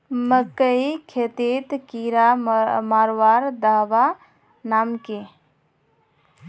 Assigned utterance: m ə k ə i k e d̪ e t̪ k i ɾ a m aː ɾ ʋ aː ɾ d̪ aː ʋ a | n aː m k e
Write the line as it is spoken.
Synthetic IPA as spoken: m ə k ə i kʰ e t̪ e t̪ k i ɾ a m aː ɾ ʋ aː ɾ d̪ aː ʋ a | n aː m k e